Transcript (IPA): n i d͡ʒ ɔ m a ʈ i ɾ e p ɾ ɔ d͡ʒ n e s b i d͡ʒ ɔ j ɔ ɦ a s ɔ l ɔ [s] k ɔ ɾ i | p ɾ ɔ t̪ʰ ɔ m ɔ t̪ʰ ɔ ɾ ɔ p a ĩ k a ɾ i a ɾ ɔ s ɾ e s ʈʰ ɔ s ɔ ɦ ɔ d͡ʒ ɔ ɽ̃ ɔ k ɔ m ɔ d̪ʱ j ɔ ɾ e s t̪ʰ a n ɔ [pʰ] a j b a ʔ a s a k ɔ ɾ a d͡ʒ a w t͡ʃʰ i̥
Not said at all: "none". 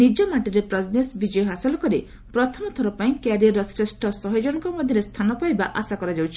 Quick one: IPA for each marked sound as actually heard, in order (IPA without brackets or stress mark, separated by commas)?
none, p